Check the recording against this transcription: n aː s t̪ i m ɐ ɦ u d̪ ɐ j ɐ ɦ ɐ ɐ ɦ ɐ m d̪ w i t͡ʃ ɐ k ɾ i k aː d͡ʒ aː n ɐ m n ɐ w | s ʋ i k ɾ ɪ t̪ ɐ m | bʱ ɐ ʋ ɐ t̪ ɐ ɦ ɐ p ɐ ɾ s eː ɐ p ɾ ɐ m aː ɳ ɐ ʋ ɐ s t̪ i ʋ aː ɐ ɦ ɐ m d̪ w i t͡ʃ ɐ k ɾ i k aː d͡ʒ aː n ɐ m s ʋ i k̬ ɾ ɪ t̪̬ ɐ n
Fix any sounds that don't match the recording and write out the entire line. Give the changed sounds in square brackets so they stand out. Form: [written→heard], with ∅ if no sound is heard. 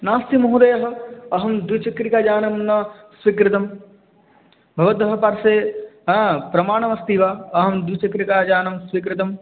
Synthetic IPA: n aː s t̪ i m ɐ ɦ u d̪ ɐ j ɐ ɦ ɐ ɐ ɦ ɐ m d̪ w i t͡ʃ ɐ k ɾ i k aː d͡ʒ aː n ɐ m n ɐ [w→∅] | s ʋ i k ɾ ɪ t̪ ɐ m | bʱ ɐ ʋ ɐ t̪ ɐ ɦ ɐ p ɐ ɾ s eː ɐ p ɾ ɐ m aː ɳ ɐ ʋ ɐ s t̪ i ʋ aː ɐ ɦ ɐ m d̪ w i t͡ʃ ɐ k ɾ i k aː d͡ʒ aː n ɐ m s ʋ i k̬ ɾ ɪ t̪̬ ɐ [n→m]